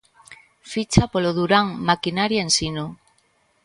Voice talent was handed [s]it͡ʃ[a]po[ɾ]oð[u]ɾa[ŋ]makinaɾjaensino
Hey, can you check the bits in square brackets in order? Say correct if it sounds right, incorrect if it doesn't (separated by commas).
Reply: incorrect, correct, incorrect, correct, correct